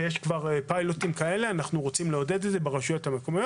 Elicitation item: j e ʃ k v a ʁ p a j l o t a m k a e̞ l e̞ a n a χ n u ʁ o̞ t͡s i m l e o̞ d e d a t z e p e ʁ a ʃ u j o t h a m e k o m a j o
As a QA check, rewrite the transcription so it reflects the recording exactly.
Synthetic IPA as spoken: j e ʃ k v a ʁ p a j l o t i m k a e̞ l e̞ a n a χ n u ʁ o̞ t͡s i m l e o̞ d e d e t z e b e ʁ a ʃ u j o t h a m e k o m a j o